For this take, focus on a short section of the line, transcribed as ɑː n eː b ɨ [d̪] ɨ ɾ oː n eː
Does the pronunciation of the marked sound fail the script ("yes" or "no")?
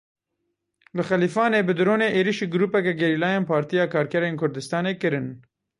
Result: no